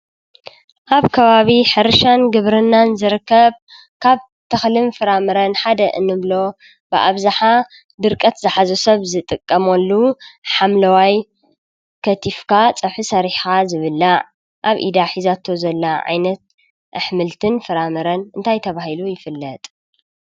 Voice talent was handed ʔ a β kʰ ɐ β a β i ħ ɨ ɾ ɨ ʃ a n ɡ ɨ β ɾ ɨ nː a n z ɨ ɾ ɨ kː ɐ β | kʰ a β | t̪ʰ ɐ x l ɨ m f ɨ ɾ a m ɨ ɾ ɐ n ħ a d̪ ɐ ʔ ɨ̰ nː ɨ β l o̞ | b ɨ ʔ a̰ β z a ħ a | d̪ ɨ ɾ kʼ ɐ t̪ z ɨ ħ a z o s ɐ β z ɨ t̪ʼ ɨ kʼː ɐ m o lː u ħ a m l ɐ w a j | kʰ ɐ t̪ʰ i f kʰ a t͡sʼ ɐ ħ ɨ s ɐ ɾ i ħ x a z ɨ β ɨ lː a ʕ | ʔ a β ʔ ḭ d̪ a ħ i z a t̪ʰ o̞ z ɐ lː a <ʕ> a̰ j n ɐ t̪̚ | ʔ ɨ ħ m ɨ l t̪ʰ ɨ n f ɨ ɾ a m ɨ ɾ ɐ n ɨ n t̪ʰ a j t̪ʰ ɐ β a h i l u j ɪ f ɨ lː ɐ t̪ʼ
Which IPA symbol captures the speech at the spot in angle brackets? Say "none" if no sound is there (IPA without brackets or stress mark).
ʕ